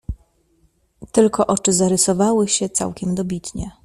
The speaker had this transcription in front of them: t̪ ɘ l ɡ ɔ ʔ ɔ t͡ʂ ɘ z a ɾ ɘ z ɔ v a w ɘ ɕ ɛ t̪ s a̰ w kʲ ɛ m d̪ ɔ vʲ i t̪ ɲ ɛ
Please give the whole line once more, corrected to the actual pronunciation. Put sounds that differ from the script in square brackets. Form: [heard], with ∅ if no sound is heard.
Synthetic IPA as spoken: t̪ ɘ l [k] ɔ ʔ ɔ t͡ʂ ɘ z a ɾ ɘ [s] ɔ v a w ɘ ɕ ɛ t̪ s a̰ w kʲ ɛ m d̪ ɔ [bʲ] i t̪ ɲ ɛ